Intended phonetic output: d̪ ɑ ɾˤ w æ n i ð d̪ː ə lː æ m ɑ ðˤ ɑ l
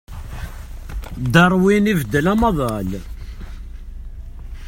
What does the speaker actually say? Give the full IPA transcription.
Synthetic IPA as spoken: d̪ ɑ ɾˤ w i n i v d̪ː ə l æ m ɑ ðˤ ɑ l